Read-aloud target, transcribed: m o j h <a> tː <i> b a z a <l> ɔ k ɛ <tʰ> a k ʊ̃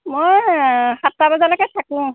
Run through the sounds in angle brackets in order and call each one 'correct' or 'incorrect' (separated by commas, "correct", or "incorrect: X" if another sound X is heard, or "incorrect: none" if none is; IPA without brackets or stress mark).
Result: correct, incorrect: a, correct, correct